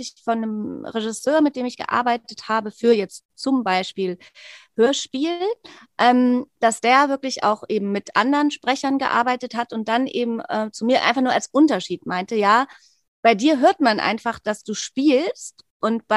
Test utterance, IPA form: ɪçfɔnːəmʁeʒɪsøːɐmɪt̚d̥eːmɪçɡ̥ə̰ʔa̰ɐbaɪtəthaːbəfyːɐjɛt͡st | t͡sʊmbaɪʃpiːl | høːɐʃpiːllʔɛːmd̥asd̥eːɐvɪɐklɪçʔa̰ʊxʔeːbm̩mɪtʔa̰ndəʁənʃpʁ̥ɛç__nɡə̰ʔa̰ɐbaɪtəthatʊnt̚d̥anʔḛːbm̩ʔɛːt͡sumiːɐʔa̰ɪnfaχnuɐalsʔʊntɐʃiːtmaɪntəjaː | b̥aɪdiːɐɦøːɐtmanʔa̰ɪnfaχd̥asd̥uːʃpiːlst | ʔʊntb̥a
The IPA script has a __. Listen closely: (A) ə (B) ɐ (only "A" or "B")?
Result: B